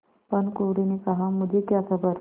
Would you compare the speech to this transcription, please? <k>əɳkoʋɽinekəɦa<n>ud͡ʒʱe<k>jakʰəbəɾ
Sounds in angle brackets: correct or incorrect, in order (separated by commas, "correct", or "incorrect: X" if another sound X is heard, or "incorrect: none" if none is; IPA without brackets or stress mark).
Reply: incorrect: p, incorrect: m, correct